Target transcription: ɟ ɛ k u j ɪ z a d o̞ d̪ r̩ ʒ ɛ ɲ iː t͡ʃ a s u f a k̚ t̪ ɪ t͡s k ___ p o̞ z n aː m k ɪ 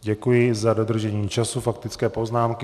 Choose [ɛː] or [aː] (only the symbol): ɛː